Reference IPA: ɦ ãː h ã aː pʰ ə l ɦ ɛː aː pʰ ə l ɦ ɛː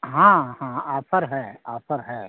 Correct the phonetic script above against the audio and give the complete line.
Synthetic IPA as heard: ɦ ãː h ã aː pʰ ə ɾ ɦ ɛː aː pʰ ə ɾ ɦ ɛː